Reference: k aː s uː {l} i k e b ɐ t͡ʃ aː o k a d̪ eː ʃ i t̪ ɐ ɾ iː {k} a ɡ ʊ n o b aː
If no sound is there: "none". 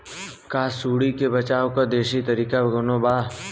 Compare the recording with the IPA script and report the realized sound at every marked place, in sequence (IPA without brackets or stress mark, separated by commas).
ɽ, k